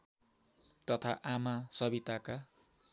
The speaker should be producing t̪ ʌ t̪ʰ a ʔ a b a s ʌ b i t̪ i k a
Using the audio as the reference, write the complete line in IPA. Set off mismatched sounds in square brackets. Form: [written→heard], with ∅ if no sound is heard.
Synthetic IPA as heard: t̪ ʌ t̪ʰ a ʔ a [b→m] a s ʌ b i t̪ [i→a] k a